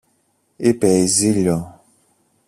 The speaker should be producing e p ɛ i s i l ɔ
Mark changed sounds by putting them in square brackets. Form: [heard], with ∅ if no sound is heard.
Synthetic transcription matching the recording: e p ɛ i [z] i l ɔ